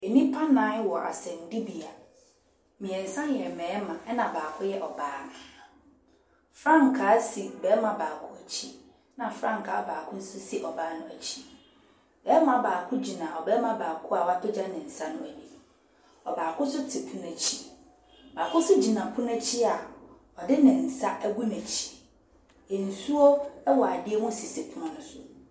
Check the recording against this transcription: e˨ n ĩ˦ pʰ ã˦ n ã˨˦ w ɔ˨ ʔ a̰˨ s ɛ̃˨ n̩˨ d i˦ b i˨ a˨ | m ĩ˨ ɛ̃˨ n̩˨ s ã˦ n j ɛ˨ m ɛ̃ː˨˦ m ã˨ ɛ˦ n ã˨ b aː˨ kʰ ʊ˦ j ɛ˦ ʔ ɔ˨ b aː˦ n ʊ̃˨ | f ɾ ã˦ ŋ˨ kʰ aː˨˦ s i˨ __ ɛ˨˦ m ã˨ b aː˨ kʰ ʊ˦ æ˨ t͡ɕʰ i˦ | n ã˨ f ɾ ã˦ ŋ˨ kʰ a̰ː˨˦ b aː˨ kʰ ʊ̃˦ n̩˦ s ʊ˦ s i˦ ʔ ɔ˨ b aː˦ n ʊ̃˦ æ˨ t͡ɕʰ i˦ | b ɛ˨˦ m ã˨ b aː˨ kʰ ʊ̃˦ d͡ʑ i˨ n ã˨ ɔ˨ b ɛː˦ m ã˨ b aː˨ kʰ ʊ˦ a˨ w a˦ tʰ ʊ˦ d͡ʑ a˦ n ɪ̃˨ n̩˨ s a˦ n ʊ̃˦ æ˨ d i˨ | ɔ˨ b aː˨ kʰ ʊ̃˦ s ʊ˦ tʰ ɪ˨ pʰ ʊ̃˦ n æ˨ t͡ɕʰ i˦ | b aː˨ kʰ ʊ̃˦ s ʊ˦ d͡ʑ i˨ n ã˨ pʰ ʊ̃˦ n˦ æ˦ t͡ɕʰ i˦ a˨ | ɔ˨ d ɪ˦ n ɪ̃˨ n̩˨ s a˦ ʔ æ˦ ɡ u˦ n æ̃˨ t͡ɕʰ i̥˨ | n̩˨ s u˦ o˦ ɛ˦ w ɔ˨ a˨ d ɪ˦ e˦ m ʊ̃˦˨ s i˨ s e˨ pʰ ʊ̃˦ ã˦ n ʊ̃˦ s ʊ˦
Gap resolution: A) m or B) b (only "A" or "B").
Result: B